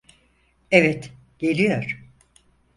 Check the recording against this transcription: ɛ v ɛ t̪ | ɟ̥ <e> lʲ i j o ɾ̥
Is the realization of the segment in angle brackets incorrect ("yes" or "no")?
no